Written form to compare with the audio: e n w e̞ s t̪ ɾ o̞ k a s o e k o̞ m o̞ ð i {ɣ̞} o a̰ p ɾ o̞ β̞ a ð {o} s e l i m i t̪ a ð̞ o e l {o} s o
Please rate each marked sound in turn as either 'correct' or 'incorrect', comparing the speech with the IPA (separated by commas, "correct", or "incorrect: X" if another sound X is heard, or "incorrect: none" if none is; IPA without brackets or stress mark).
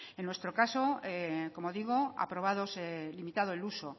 correct, correct, incorrect: u